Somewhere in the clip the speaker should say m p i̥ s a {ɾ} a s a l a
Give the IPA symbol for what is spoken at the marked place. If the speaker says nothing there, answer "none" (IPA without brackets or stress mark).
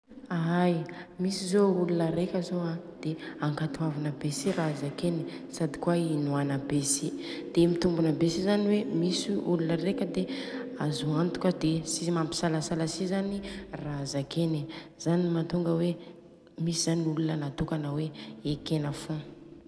l